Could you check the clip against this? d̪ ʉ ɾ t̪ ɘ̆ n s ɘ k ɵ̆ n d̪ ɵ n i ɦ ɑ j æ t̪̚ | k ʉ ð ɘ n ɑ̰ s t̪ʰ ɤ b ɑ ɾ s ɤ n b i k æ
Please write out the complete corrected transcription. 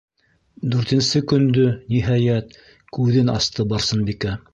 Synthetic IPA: d̪ ʉ ɾ t̪ ɘ̆ n s ɘ k ɵ̆ n d̪ ɵ n i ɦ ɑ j æ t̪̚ | k ʉ ð ɘ n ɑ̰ s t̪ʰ ɤ b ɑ ɾ s ɤ n b i k æ